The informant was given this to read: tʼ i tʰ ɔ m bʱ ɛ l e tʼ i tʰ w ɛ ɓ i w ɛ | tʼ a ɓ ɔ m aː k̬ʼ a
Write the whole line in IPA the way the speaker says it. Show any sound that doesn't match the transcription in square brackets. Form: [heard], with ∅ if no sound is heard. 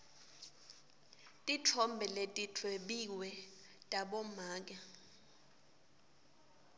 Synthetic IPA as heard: tʼ i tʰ ɔ m bʱ ɛ l e tʼ i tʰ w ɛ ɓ i w ɛ | tʼ a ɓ ɔ m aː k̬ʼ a